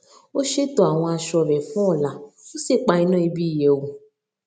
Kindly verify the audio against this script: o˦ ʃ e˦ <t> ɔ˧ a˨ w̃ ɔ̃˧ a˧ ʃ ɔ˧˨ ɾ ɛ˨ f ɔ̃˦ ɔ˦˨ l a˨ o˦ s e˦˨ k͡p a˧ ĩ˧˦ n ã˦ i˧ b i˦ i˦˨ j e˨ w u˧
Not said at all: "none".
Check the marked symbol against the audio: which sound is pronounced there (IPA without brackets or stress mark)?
t